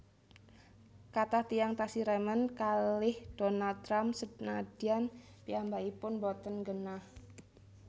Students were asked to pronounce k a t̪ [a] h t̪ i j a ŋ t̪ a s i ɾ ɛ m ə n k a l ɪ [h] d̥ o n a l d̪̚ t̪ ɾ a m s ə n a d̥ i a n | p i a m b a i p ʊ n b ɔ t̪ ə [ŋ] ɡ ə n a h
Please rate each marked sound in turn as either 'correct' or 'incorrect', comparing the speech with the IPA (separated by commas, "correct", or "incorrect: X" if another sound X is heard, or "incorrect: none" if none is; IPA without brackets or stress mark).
correct, correct, incorrect: n